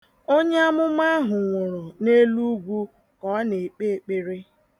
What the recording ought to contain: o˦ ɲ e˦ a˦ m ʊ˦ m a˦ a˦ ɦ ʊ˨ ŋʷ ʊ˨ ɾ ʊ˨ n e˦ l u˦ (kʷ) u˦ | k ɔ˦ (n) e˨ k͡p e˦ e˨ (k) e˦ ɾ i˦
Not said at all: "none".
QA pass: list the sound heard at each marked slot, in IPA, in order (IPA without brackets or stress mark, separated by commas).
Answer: ɡʷ, n, k͡p